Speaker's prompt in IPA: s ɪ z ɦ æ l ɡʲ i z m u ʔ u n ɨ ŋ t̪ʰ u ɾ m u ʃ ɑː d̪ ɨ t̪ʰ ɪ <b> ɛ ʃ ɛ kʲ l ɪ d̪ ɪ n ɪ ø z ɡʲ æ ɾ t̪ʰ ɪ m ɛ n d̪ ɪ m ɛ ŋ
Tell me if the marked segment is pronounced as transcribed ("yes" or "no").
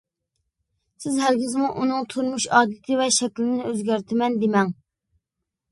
no